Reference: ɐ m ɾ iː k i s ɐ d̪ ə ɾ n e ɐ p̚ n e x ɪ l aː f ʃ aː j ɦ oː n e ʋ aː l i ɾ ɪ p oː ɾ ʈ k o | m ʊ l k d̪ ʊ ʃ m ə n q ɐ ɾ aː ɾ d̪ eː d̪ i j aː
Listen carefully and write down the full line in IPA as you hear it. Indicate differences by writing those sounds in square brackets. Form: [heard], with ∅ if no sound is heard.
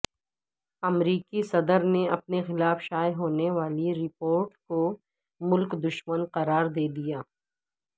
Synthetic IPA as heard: ɐ m ɾ iː k i s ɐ d̪ ə ɾ n e ɐ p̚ n e x ɪ l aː f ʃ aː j ɦ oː n e ʋ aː l i ɾ ɪ p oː ɾ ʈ k o | m ʊ l k d̪ ʊ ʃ m ə n q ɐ ɾ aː ɾ d̪ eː d̪ i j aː

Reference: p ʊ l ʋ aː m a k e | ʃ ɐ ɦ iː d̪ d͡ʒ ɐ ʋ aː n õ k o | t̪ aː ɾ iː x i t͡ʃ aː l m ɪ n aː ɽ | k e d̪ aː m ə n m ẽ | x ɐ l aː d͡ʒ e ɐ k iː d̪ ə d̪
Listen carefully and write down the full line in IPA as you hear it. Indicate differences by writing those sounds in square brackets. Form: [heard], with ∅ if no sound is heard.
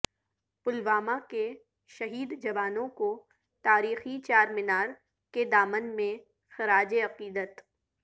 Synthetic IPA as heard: p ʊ l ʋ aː m a k e | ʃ ɐ ɦ iː d̪ d͡ʒ ɐ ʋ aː n õ k o | t̪ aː ɾ iː x i t͡ʃ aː [ɾ] m ɪ n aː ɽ | k e d̪ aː m ə n m ẽ | x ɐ [ɾ] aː d͡ʒ e ɐ [q] iː d̪ ə [t̪]

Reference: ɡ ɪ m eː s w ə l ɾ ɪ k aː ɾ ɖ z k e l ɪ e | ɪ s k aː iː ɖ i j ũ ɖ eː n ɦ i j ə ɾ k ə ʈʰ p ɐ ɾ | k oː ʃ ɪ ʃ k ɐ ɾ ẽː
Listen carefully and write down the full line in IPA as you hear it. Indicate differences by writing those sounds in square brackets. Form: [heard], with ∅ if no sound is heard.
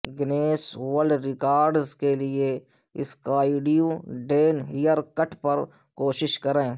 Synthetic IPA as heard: ɡ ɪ [n] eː s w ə l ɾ ɪ k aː ɾ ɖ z k e l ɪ e | ɪ s k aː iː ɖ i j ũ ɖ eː n ɦ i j ə ɾ k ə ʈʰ p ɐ ɾ | k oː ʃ ɪ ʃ k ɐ ɾ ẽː

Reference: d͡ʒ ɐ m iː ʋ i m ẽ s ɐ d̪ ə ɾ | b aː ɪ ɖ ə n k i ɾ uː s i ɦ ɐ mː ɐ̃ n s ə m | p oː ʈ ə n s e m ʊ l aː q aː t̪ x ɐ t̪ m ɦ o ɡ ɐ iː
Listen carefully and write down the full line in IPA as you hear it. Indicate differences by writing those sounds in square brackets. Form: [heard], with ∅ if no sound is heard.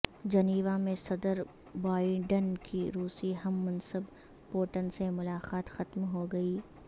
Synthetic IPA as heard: d͡ʒ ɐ [n] iː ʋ [a] m ẽ s ɐ d̪ ə ɾ | b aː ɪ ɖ ə n k i ɾ uː s i ɦ ɐ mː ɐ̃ n s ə [b] | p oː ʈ ə n s e m ʊ l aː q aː t̪ x ɐ t̪ m ɦ o ɡ ɐ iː

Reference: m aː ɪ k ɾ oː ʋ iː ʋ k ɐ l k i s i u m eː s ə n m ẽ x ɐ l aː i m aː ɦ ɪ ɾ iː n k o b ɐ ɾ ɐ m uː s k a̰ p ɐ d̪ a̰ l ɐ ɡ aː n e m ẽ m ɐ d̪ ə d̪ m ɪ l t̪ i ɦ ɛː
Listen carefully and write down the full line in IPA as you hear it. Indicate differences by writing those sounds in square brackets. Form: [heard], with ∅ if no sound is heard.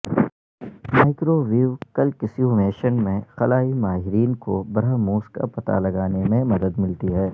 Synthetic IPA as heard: m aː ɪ k ɾ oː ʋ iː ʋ k ɐ l k [ɪ] s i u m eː [ʃ] ə n m ẽ x ɐ l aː i m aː ɦ ɪ ɾ iː n k o b ɐ ɾ [a] m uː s k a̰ p ɐ [t̪] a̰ l ɐ ɡ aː n e m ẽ m ɐ d̪ ə d̪ m ɪ l t̪ i ɦ ɛː

